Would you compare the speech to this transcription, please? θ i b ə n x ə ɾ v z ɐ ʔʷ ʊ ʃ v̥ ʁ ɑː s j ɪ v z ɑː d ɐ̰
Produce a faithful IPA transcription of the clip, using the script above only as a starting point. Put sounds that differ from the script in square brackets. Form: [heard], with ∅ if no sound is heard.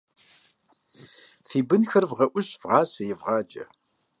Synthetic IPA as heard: θ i b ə n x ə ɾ v [ʁ] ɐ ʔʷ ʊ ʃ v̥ ʁ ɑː s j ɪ v [ʁ] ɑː [d͡ʒ] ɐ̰

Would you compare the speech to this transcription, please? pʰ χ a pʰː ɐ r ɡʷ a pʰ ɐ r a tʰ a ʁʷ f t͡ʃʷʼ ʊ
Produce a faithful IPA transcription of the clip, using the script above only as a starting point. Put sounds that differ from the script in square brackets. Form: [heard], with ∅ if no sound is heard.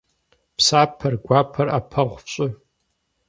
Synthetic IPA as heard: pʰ [s] a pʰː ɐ r ɡʷ a pʰ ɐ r a [pʰ] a ʁʷ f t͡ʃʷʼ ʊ

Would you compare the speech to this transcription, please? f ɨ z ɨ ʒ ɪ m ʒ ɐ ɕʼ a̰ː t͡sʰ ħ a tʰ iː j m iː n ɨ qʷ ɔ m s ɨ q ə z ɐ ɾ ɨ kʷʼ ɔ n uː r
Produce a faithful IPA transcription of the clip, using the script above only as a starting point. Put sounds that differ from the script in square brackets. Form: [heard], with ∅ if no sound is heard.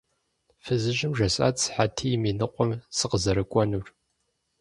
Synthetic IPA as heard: f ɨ z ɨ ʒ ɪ m ʒ ɐ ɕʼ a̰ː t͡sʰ ħ a tʰ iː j m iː n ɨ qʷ ɔ m s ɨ q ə z ɐ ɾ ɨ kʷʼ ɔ n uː r

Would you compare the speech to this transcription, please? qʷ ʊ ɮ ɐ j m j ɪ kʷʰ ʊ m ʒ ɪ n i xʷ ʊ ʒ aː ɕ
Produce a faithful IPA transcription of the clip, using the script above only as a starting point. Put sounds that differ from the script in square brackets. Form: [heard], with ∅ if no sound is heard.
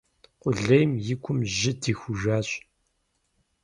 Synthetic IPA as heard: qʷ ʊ ɮ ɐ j m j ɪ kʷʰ ʊ m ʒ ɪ [d] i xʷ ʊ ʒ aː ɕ

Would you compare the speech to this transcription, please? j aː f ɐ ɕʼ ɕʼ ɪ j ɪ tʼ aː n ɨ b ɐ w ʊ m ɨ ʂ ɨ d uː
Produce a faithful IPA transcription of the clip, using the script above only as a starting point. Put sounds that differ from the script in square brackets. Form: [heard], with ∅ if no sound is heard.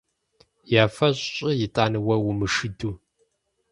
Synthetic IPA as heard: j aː f ɐ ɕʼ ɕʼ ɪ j ɪ tʼ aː n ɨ [w] ɐ w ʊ m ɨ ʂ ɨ d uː

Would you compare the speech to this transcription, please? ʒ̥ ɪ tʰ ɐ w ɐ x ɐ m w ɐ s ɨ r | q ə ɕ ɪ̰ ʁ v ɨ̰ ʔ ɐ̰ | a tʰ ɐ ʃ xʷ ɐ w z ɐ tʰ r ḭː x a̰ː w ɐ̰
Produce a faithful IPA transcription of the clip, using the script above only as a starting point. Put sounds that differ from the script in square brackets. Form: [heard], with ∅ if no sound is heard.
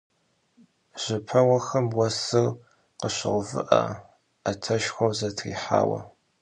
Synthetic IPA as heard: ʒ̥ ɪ [pʰ] ɐ w ɐ x ɐ m w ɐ s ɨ r | q ə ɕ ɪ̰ ʁ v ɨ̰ ʔ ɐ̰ | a tʰ ɐ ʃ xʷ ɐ w z ɐ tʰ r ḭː [ħ] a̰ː w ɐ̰

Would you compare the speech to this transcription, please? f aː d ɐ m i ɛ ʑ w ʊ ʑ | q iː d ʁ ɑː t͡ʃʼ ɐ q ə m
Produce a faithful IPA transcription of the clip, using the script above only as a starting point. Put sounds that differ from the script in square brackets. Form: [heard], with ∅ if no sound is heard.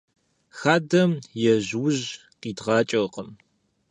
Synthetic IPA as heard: [x] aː d ɐ m [j] ɛ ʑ w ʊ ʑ | q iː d ʁ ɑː t͡ʃʼ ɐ q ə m

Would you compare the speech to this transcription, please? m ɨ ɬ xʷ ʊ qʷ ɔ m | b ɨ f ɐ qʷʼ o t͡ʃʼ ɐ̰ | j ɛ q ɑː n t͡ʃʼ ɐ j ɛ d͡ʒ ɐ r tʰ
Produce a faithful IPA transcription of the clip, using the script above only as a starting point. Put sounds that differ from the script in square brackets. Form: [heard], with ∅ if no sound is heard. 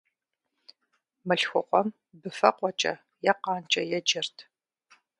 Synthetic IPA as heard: m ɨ ɬ xʷ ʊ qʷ ɔ m | b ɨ f ɐ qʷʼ [ɔ] t͡ʃʼ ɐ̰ | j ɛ q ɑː n t͡ʃʼ ɐ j ɛ d͡ʒ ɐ r tʰ

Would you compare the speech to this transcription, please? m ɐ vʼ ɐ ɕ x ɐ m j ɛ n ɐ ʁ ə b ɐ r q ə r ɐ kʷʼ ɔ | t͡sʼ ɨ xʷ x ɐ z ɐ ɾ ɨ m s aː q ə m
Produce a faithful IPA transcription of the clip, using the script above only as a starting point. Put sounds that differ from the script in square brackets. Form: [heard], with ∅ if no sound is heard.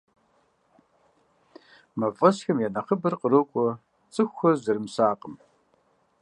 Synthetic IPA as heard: m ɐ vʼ ɐ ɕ x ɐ m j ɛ n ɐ [χ] ə b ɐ r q ə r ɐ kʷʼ ɔ | t͡sʼ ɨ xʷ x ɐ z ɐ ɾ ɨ m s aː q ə m

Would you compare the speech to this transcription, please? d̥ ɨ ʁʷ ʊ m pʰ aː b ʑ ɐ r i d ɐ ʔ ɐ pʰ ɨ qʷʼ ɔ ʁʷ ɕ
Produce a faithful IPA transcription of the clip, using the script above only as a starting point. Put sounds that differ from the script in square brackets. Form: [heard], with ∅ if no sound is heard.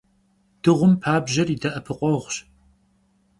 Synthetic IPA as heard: d̥ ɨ ʁʷ ʊ m pʰ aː b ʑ ɐ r i d ɐ ʔ ɐ pʰ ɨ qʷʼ ɔ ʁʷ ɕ

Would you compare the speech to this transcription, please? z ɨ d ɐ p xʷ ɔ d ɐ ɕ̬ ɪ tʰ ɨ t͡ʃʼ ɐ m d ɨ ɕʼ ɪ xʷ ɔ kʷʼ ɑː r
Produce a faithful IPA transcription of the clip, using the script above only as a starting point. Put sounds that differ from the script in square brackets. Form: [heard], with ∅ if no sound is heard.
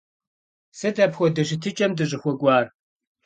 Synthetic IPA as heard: [s] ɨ d ɐ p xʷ ɔ d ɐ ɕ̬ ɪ tʰ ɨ t͡ʃʼ ɐ m d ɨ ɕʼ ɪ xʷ ɔ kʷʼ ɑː r

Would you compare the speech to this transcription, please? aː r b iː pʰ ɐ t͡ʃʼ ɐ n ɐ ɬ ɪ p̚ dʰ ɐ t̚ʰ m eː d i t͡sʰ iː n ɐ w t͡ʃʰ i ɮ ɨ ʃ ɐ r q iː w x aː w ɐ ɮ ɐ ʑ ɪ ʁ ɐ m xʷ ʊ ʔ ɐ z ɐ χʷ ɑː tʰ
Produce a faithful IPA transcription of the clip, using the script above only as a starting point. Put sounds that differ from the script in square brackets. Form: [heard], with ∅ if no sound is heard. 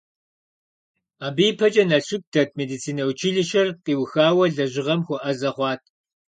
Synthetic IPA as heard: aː [∅] b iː pʰ ɐ t͡ʃʼ ɐ n ɐ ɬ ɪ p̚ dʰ ɐ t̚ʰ m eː d i t͡sʰ iː n ɐ w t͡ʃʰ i ɮ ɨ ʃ ɐ r q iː w x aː w ɐ ɮ ɐ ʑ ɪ ʁ ɐ m xʷ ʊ ʔ ɐ z ɐ χʷ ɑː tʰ

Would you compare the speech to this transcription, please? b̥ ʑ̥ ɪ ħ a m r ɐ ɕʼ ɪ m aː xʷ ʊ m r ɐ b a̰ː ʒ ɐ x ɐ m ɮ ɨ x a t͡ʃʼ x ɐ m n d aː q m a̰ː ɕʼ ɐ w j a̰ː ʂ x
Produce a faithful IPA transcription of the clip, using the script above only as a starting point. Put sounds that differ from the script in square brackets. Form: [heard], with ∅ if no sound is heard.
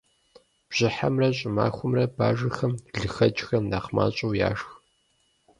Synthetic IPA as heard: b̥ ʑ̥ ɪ ħ a m r ɐ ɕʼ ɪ m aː xʷ ʊ m r ɐ b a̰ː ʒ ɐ x ɐ m ɮ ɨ x [ɐ] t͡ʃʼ x ɐ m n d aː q m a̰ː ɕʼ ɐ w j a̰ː ʂ x

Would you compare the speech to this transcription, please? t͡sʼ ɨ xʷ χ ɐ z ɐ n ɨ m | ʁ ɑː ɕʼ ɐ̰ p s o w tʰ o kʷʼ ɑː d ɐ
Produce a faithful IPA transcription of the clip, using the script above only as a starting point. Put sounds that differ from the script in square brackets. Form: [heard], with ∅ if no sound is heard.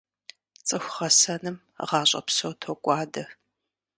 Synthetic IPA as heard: t͡sʼ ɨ xʷ χ ɐ [s] ɐ n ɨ m | ʁ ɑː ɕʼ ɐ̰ p s o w tʰ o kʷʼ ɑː d ɐ

